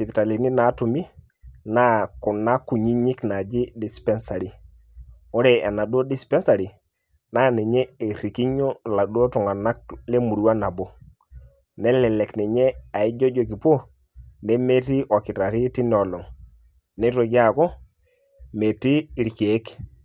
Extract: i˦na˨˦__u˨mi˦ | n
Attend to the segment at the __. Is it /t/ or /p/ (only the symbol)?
t